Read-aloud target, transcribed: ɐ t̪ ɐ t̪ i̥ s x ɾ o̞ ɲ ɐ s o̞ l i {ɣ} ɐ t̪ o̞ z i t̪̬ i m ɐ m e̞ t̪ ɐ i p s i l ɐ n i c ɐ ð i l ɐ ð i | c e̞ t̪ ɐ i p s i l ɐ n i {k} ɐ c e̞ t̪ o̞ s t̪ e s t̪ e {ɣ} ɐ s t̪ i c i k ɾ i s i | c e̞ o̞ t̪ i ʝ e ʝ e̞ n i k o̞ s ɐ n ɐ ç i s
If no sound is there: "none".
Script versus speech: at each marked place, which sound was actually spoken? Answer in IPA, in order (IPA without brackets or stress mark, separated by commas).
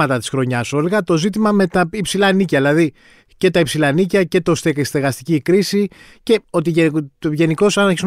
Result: ɣ, c, ɣ